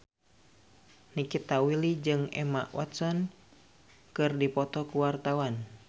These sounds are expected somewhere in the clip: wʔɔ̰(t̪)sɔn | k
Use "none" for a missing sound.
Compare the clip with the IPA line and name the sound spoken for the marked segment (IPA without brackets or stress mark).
t̪